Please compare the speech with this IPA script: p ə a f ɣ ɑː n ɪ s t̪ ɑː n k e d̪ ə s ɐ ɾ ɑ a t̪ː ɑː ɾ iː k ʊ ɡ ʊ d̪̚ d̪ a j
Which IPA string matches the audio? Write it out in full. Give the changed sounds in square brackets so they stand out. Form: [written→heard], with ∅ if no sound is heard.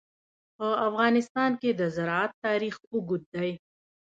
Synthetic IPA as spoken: p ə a f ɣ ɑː n ɪ s t̪ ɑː n k e d̪ ə [s→z] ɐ ɾ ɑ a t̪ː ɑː ɾ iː [k→x] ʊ ɡ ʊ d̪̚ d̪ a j